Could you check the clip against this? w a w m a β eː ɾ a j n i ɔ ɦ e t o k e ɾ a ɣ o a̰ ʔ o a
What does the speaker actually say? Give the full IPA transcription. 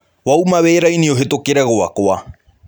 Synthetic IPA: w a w m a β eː ɾ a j n i o ɦ e t o k e ɾ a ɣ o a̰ k o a